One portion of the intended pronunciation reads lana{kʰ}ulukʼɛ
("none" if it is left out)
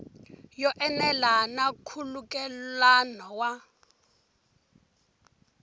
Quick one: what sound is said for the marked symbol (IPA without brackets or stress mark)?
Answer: kʰ